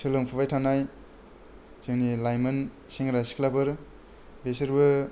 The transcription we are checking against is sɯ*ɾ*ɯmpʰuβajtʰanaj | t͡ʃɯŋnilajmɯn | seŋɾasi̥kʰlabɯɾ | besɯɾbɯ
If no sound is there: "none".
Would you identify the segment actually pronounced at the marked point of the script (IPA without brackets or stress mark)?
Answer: l